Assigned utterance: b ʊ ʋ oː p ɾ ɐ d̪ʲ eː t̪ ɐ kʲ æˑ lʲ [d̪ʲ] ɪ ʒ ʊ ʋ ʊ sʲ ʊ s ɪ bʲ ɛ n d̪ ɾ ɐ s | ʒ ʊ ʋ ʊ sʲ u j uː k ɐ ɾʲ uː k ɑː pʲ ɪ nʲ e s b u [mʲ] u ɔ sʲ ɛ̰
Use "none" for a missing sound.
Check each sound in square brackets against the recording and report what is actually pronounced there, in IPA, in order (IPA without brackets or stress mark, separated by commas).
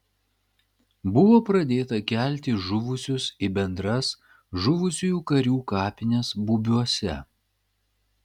t̪ʲ, bʲ